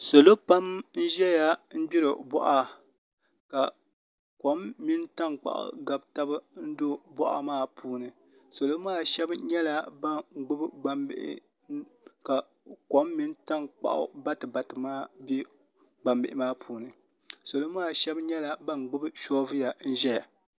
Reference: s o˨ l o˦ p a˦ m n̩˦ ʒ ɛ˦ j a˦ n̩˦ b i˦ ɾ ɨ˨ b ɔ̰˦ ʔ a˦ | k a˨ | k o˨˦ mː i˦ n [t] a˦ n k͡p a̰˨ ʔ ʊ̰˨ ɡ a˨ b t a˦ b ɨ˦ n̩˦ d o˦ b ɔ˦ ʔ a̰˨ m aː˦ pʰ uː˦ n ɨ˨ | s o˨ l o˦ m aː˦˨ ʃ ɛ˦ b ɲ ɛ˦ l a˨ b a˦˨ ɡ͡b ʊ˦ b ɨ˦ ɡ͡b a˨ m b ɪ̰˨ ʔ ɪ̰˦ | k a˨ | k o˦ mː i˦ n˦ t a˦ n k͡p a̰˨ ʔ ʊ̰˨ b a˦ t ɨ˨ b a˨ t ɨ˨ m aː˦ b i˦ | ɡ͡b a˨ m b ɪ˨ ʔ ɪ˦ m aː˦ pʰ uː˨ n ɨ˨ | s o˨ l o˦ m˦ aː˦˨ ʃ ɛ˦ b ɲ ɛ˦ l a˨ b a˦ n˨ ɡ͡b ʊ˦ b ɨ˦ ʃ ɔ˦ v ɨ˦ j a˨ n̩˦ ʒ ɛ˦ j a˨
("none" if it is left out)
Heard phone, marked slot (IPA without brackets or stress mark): t